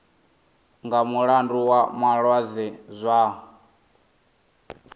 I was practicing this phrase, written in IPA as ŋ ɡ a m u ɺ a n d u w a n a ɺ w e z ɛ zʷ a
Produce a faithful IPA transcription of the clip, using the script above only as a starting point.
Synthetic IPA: ŋ ɡ a m u ɺ a n d u w a m a ɺ w a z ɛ zʷ a